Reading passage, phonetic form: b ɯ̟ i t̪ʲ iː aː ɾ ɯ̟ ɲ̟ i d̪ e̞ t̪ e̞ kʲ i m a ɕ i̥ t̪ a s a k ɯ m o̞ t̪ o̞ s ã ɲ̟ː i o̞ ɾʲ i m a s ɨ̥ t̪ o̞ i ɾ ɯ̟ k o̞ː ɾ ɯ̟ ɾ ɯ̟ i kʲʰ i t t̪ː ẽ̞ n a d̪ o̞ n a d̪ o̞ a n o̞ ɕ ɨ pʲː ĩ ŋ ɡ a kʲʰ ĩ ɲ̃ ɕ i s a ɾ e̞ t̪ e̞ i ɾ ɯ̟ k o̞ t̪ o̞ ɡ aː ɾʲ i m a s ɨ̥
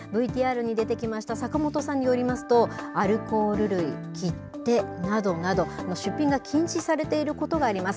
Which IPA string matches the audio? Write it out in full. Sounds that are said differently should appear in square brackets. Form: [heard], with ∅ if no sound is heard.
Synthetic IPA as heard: b ɯ̟ i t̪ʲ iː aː ɾ ɯ̟ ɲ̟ i d̪ e̞ t̪ e̞ kʲ i m a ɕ i̥ t̪ a s a k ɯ m o̞ t̪ o̞ s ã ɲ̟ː i o̞ ɾʲ i m a s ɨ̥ t̪ o̞ [a] ɾ ɯ̟ k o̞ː ɾ ɯ̟ ɾ ɯ̟ i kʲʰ i t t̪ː [e̞] n a d̪ o̞ n a d̪ o̞ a n o̞ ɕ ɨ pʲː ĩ ŋ ɡ a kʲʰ ĩ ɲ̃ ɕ i s a ɾ e̞ t̪ e̞ i ɾ ɯ̟ k o̞ t̪ o̞ ɡ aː ɾʲ i m a s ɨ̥